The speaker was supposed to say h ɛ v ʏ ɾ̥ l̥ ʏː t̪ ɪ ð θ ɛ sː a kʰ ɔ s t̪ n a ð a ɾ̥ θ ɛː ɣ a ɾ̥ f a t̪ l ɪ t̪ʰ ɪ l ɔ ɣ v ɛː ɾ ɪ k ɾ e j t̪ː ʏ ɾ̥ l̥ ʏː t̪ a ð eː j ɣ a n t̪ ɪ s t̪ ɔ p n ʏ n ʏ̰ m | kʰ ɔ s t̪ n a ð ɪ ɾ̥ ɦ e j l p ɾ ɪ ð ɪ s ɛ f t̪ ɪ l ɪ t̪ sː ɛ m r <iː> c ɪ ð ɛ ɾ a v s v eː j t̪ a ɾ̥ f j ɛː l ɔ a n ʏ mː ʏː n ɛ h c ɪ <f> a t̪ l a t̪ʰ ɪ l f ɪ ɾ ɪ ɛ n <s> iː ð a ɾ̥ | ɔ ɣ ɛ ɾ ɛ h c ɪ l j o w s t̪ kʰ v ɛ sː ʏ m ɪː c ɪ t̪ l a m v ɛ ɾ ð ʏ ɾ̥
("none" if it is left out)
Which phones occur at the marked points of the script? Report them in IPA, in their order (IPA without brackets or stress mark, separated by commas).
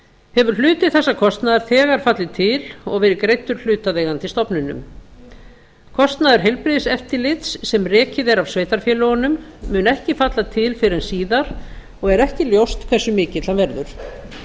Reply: ɛː, f, s